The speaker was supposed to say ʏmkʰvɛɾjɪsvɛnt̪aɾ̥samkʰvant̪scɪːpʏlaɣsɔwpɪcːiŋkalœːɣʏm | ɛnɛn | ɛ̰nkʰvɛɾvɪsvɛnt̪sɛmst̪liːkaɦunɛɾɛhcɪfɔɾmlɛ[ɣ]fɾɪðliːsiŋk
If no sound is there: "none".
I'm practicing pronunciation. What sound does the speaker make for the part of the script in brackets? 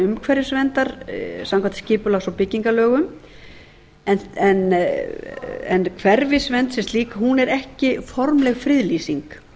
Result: ɣ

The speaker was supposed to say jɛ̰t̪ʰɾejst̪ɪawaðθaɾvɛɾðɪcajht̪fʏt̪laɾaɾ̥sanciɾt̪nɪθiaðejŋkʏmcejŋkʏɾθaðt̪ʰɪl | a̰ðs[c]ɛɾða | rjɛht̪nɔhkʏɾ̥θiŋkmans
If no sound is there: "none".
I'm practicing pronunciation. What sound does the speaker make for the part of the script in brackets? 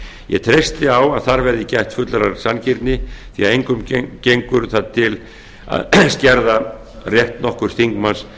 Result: c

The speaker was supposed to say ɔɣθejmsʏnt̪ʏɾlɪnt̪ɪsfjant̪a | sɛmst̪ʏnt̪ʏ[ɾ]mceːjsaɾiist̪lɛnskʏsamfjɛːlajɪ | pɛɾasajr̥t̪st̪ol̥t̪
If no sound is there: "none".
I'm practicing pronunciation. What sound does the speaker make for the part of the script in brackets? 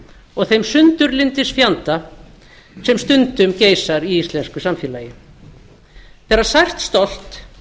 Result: none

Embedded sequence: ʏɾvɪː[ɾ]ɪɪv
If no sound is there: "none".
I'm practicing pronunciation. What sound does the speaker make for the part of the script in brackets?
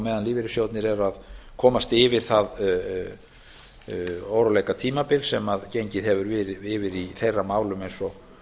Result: ɾ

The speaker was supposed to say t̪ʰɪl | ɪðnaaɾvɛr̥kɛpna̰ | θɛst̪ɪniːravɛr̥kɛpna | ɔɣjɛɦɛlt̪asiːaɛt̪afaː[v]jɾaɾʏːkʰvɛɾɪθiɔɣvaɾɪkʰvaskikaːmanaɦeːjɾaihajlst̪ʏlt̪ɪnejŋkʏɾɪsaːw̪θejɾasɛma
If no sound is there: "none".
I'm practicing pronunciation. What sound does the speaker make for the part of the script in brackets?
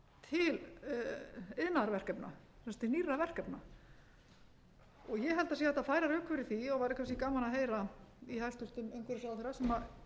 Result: none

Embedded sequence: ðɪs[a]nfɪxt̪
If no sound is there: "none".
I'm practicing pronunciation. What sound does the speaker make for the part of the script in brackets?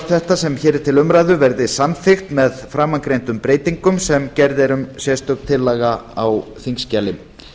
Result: a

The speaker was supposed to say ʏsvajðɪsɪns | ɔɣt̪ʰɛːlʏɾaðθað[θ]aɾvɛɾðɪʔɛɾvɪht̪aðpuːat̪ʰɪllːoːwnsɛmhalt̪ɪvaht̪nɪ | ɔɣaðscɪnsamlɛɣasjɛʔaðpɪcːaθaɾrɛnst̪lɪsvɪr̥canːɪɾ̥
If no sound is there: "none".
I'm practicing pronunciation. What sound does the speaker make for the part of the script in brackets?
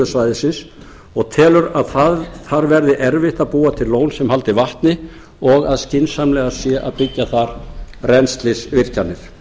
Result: θ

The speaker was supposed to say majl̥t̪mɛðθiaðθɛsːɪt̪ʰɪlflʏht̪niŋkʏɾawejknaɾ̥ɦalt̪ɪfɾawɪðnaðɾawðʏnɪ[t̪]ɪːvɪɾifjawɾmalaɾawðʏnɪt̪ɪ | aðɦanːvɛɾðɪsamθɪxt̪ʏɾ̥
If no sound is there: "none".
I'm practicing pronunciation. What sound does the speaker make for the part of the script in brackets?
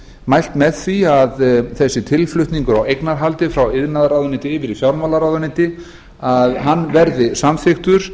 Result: t̪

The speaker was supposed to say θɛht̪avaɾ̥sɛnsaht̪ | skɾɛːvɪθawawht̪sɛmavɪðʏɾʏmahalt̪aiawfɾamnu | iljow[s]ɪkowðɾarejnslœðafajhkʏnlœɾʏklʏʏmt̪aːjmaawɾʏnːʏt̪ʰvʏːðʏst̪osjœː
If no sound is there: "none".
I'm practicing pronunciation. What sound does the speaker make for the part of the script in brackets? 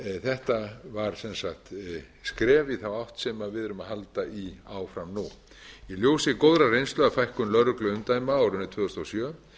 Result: s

